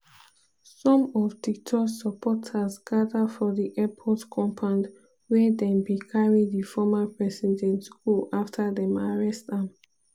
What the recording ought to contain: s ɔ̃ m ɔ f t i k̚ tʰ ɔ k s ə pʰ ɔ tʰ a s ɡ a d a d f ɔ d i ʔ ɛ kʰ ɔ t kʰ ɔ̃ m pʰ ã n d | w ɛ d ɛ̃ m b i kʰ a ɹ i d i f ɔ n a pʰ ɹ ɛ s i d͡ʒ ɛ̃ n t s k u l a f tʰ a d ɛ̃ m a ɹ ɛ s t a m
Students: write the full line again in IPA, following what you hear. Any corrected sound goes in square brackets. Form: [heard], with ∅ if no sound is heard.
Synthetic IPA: s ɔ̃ m ɔ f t i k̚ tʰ ɔ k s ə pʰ ɔ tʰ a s ɡ a d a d f ɔ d i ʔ ɛ [pʰ] ɔ t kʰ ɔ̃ m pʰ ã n d | w ɛ d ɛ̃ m b i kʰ a ɹ i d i f ɔ [m] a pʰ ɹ ɛ s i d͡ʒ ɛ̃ n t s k u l a f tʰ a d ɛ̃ m a ɹ ɛ s t a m